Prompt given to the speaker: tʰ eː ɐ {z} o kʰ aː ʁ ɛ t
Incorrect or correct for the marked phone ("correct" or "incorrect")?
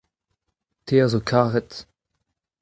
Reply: correct